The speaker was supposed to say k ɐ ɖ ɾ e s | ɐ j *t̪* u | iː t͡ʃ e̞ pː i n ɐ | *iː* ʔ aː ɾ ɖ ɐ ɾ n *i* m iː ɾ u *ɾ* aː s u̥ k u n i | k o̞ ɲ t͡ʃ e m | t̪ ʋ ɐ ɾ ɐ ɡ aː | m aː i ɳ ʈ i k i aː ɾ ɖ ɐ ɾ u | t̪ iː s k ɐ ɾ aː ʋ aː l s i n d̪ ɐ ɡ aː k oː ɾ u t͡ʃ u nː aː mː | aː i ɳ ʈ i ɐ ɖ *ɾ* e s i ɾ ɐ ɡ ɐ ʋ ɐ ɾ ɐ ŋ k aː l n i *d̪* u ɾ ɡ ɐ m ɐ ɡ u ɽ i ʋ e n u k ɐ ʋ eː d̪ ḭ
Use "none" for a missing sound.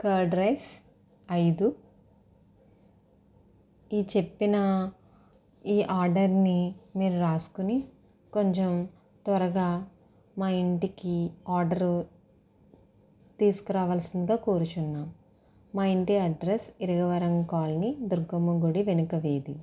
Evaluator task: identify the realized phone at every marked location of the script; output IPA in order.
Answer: d̪, iː, i, ɾ, ɾ, d̪

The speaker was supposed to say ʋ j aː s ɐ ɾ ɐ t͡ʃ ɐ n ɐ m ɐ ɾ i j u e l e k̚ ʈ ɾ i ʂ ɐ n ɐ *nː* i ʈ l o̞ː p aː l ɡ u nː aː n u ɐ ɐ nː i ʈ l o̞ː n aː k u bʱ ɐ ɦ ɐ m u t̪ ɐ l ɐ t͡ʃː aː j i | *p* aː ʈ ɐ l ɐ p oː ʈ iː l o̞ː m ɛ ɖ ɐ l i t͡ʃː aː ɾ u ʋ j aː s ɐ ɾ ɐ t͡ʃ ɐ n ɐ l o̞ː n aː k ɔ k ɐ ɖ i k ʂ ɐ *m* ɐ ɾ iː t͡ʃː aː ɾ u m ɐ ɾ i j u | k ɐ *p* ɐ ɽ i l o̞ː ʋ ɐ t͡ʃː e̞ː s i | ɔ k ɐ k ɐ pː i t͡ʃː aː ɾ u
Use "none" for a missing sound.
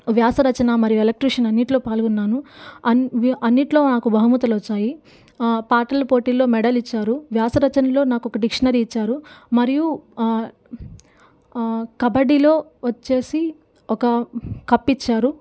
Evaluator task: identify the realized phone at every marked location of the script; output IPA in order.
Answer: nː, p, n, b

